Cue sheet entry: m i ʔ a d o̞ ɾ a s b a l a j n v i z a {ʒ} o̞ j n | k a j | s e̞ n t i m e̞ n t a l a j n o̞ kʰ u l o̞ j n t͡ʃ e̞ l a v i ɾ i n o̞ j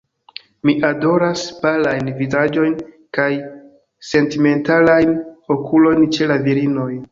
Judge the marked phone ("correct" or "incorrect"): incorrect